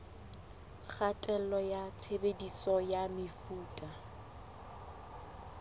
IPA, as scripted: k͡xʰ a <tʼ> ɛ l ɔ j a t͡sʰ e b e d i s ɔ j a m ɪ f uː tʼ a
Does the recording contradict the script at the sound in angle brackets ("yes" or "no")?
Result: no